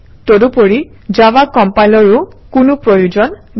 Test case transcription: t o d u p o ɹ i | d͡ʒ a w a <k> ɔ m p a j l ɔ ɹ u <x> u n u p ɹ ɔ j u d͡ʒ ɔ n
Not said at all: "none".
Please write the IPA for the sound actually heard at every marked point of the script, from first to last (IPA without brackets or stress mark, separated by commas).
k, k